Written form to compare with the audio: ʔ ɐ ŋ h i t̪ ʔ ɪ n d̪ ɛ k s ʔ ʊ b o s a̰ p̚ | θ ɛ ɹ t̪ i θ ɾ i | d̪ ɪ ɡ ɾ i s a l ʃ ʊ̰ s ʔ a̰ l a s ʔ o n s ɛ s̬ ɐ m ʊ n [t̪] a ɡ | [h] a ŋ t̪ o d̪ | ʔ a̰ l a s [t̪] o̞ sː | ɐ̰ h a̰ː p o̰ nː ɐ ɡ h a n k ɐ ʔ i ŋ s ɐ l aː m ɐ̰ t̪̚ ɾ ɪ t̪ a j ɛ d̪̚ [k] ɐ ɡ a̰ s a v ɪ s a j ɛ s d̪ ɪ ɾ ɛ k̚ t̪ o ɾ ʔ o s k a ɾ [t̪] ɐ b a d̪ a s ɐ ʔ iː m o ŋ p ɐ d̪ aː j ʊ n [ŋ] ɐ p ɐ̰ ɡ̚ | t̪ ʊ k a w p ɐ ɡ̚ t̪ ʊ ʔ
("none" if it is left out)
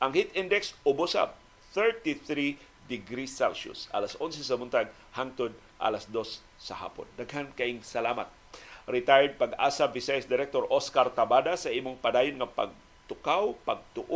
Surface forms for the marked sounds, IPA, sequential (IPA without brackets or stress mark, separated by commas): t̪, h, d̪, p, t̪, ŋ